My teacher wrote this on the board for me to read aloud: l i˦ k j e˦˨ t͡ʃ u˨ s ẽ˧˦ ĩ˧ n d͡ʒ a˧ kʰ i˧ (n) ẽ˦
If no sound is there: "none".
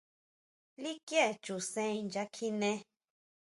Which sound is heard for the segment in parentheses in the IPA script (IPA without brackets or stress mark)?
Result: n